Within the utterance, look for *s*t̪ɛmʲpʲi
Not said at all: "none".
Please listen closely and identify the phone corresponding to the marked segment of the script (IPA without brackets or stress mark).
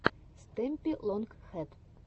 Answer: s